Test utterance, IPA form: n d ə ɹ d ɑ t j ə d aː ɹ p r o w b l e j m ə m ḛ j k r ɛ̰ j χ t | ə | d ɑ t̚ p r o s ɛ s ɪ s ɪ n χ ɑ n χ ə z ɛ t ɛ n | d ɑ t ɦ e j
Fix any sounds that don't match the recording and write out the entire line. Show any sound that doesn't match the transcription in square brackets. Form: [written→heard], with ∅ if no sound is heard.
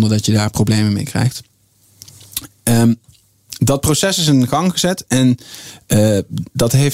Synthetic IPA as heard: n d ə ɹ d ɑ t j ə d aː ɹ p r o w b l e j m ə m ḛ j k r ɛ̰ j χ t | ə | d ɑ t̚ p r o s ɛ s ɪ s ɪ n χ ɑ [n→ŋ] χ ə z ɛ t ɛ n | d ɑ t ɦ e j